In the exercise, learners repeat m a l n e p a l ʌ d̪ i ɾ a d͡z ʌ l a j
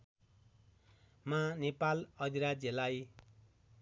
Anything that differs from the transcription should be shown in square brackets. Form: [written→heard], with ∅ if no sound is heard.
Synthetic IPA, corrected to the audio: m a [l→∅] n e p a l ʌ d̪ i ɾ a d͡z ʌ l a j